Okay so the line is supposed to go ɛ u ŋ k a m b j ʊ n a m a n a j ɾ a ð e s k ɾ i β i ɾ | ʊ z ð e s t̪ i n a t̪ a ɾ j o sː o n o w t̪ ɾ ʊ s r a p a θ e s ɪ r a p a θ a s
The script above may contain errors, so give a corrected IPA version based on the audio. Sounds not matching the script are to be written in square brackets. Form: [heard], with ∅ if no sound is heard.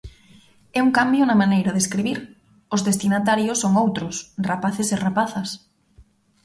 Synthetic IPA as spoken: ɛ u ŋ k a m b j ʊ n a m a n [e] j ɾ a ð e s k ɾ i β i ɾ | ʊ z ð e s t̪ i n a t̪ a ɾ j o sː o [ŋ] o w t̪ ɾ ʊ s r a p a θ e s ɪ r a p a θ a s